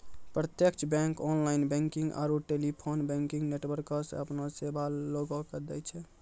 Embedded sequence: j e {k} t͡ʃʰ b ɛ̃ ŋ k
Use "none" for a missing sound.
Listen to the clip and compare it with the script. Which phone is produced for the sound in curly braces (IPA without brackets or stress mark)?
k